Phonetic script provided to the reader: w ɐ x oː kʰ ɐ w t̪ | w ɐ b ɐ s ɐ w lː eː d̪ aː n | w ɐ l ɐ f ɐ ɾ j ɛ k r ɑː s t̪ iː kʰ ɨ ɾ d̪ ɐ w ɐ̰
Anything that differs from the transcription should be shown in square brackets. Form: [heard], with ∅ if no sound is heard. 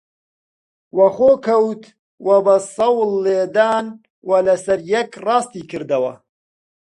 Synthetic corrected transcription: w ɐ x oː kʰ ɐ w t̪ | w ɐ b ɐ s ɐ w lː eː d̪ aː n | w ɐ l ɐ [s] ɐ ɾ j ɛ k r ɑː s t̪ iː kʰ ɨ ɾ d̪ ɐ w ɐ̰